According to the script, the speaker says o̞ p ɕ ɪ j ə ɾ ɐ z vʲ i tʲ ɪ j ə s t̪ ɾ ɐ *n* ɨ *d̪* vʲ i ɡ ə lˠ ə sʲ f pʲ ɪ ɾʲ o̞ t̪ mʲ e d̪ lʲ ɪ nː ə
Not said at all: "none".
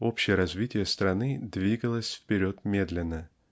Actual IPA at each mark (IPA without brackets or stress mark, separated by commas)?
n, d̪